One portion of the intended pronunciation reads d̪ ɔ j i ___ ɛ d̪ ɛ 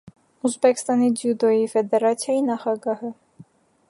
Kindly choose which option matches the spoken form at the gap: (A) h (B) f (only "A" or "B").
B